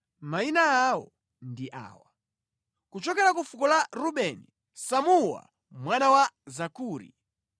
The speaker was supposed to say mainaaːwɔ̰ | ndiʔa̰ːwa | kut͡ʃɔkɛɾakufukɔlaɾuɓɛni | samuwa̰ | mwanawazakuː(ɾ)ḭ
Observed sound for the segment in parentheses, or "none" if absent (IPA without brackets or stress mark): ɾ